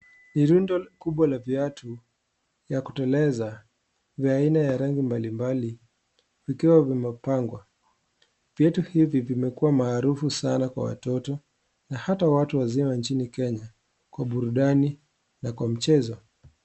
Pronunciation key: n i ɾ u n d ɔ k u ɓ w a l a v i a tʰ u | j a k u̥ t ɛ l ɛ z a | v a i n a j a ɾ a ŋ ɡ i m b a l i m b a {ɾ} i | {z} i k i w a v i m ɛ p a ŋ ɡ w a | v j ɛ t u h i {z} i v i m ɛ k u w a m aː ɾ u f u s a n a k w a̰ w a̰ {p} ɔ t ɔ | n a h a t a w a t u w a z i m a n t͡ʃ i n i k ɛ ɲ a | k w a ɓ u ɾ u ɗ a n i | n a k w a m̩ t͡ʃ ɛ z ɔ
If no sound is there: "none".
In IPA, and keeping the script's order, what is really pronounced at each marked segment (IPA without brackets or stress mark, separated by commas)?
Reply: l, v, v, t